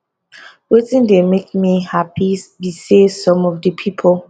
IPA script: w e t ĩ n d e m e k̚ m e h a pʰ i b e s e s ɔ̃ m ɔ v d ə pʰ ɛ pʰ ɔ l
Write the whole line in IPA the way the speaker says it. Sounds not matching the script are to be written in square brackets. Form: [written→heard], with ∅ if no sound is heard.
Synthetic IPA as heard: w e t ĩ n d e m e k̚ m [e→i] h a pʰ i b [e→i] s e s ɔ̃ m ɔ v d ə pʰ [ɛ→i] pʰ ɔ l